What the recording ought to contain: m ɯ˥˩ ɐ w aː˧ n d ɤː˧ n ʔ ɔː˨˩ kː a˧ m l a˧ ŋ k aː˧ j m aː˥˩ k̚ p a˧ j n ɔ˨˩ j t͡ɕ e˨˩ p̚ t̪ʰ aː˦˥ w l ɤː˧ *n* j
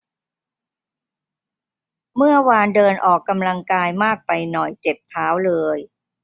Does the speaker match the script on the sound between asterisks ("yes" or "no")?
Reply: no